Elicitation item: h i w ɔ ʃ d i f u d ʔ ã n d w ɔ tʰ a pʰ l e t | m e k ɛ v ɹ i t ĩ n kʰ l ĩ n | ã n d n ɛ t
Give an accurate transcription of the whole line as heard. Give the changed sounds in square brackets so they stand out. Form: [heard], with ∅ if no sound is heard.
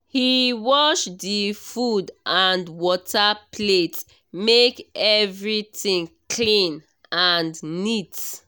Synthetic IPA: h i w ɔ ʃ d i f u d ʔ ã n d w ɔ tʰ a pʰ l e t | m e k ɛ v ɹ i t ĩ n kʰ l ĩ n | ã n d n [i] t